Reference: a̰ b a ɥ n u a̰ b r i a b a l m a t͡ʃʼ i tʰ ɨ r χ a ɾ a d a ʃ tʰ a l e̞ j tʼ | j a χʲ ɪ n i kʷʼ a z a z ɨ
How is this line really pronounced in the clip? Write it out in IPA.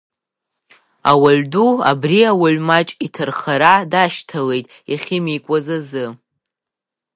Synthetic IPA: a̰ w a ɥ d u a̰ b r i a w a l m a t͡ʃʼ i tʰ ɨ r χ a ɾ a d a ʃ tʰ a l e̞ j tʼ | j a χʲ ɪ m i kʷʼ a z a z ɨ